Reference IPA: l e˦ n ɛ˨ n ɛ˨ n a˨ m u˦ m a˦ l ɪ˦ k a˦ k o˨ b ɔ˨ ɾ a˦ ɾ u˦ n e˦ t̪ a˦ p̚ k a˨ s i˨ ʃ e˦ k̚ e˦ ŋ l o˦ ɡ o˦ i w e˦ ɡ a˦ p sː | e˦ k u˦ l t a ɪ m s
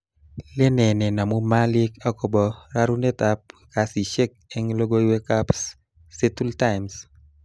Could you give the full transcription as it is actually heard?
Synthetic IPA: l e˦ n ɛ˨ n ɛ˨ n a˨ m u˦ m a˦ l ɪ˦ k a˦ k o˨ b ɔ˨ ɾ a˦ ɾ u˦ n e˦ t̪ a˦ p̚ k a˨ s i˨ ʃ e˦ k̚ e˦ ŋ l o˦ ɡ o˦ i w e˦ k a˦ p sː | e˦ t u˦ l t a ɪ m s